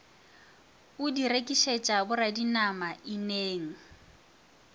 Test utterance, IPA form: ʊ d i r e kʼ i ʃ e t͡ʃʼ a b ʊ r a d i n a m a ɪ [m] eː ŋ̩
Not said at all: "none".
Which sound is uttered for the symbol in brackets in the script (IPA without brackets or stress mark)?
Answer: n